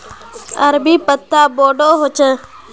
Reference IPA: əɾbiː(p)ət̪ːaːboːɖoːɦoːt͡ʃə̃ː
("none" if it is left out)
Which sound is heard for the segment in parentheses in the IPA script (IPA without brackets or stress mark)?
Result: p